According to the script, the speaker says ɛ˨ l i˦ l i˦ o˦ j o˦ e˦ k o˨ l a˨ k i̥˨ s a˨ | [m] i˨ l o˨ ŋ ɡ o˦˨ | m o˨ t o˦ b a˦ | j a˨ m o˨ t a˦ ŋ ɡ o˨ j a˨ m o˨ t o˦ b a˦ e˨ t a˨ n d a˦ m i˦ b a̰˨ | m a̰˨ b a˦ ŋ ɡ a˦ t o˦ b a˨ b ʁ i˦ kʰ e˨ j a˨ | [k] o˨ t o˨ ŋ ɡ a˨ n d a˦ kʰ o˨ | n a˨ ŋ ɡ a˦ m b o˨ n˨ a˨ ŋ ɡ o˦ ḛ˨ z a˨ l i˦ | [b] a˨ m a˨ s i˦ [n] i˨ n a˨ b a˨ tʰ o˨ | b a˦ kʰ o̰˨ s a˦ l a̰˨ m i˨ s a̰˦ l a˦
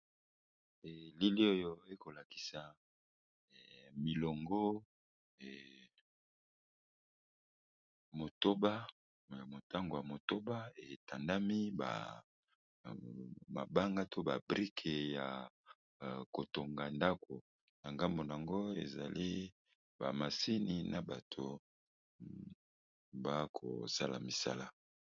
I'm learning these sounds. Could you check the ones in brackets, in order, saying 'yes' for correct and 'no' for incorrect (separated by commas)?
yes, yes, yes, yes